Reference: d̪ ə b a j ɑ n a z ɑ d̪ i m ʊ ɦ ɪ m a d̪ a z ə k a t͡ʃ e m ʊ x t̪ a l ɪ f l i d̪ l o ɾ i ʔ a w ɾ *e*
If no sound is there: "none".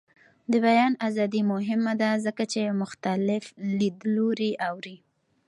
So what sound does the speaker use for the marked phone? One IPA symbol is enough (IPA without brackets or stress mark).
i